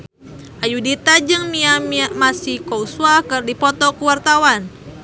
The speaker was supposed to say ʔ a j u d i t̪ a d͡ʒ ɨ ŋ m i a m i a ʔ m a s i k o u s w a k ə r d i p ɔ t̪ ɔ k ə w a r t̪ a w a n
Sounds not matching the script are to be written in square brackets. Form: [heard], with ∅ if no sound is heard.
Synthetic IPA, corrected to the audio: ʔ a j u d i t̪ a d͡ʒ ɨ ŋ m i a m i a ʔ m a s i k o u s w a k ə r d i p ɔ t̪ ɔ k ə w a r t̪ a w a n